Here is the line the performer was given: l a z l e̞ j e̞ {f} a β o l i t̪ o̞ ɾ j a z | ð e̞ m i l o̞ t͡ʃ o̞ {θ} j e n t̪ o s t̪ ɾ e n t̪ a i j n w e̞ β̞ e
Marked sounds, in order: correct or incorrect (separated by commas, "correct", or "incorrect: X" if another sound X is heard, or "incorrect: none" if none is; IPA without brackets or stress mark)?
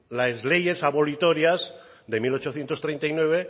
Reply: incorrect: s, correct